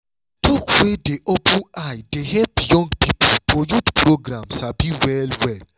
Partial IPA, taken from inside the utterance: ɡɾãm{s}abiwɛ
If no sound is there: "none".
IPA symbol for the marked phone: s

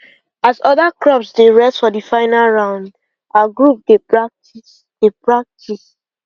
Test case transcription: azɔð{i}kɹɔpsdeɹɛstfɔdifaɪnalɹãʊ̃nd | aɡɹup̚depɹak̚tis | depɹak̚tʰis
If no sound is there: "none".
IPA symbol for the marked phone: a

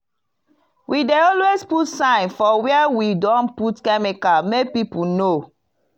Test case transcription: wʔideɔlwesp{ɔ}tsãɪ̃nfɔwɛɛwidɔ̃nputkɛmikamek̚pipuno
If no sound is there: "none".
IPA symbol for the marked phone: u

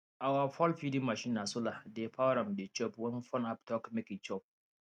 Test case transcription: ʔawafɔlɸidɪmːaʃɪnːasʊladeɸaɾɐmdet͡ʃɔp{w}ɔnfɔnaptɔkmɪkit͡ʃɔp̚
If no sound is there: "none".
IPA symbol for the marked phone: w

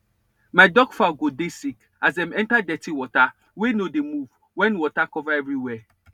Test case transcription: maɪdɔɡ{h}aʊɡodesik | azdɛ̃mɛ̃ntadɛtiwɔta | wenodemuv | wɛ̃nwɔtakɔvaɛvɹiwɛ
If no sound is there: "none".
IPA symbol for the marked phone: f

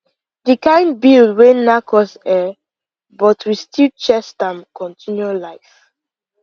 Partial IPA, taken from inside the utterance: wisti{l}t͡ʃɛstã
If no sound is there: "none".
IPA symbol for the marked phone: l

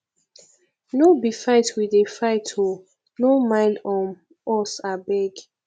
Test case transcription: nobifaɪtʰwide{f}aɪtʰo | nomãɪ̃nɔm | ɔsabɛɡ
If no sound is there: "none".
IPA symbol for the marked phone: f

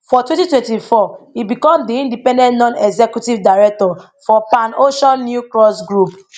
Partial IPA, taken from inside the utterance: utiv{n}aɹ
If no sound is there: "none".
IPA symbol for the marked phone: d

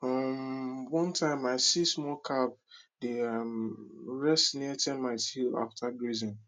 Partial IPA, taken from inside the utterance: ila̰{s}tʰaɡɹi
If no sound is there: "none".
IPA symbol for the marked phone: f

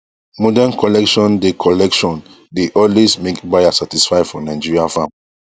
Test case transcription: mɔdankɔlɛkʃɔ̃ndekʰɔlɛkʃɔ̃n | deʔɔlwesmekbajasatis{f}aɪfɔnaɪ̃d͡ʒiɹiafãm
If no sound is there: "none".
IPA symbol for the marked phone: f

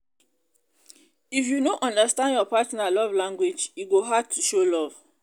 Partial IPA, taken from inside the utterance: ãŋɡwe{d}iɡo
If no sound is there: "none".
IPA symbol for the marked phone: d͡ʒ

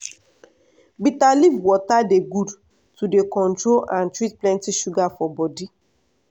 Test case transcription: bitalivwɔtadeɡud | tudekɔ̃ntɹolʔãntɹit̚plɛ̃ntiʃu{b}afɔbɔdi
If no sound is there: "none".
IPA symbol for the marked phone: ɡ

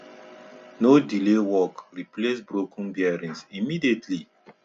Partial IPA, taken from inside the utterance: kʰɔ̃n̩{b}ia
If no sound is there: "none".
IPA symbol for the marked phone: b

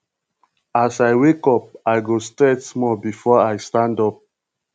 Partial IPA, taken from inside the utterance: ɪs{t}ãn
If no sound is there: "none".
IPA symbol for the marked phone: t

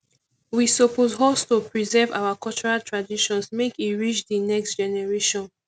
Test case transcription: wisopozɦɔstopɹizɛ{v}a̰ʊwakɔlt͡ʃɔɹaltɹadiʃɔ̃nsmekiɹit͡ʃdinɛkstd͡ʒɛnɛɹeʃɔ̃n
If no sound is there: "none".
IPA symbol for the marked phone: v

